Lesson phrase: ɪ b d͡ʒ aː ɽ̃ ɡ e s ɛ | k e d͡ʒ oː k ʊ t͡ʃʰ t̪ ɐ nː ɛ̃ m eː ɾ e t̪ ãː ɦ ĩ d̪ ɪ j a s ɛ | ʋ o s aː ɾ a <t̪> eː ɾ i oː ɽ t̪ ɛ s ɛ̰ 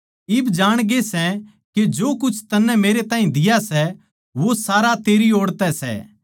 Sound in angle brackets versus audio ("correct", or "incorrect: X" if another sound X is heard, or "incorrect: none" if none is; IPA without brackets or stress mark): correct